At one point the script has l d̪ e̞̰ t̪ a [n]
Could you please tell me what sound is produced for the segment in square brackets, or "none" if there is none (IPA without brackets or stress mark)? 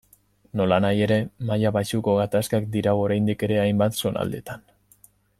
n